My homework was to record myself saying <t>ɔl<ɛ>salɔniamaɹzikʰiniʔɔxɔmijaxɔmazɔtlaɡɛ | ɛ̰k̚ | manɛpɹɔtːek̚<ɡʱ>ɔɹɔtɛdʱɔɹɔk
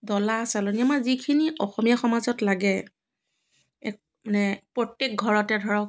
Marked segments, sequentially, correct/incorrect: incorrect, incorrect, correct

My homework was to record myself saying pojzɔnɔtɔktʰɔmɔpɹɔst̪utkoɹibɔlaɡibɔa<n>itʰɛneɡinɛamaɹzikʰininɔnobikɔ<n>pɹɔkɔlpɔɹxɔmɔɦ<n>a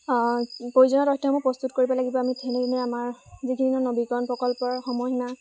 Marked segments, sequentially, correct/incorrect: incorrect, correct, correct

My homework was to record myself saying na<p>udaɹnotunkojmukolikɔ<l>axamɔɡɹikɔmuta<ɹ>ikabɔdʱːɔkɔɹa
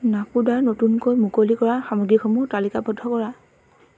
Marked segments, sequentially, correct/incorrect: correct, incorrect, incorrect

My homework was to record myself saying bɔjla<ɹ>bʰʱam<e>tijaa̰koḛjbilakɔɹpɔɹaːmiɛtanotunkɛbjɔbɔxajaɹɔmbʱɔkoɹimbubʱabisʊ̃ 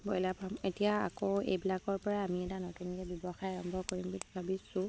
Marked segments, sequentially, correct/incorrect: incorrect, correct

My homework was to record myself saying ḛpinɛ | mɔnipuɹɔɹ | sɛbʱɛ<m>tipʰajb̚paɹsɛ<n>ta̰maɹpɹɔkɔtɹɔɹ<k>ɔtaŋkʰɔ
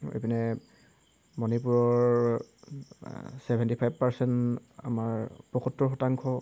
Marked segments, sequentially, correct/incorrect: incorrect, correct, incorrect

